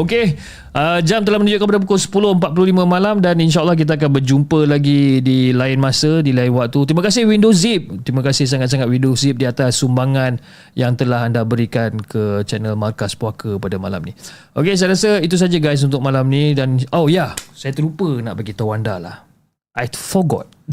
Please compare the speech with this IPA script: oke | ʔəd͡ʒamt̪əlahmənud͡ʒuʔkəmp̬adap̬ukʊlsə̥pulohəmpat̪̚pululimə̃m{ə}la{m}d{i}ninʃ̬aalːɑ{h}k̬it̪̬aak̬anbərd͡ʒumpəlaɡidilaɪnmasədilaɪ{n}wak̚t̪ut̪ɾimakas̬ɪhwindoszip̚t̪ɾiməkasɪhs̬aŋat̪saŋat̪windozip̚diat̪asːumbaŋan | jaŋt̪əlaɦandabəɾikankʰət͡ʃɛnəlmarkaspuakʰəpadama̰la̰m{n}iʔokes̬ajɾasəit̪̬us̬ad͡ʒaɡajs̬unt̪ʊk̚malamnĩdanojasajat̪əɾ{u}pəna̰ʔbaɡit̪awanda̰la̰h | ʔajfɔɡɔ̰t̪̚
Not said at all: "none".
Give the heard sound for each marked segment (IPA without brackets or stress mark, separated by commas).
a, m, a, h, n, n, u